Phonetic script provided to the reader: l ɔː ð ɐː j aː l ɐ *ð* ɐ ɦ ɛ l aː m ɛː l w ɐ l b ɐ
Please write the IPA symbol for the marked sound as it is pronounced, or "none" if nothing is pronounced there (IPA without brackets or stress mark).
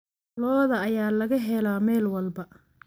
ɣ